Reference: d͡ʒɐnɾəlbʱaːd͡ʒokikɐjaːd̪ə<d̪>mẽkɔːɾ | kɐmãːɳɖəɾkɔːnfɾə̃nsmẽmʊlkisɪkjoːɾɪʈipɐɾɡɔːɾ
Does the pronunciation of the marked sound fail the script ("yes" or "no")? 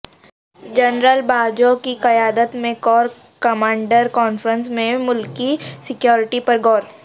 yes